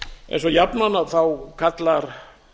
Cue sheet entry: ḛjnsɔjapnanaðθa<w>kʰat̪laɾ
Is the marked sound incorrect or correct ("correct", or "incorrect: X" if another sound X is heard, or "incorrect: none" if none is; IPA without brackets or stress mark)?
correct